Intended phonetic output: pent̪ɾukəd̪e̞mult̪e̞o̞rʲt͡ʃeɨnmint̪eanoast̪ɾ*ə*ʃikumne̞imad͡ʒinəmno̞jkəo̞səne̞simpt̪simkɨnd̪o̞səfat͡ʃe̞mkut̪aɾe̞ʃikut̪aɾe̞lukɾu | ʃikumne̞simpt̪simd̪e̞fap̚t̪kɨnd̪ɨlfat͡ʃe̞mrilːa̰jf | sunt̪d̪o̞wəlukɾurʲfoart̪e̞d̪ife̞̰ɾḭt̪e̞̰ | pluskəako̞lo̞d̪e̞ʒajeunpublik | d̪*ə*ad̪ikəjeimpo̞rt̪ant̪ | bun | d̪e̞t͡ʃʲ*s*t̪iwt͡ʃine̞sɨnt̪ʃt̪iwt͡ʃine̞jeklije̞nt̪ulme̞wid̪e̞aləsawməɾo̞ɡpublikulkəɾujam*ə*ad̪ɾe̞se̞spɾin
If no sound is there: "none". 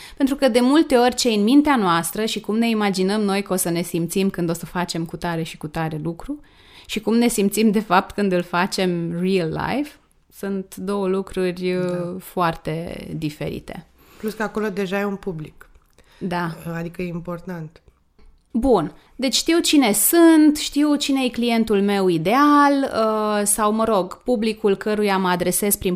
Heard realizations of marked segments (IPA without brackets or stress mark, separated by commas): ə, a, ʃ, ə